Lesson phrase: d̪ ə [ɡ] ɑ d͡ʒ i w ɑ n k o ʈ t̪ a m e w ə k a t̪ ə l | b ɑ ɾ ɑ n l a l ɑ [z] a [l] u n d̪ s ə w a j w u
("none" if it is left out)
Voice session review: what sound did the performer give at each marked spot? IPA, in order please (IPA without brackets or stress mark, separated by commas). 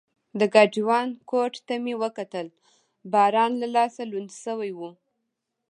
ɡ, s, l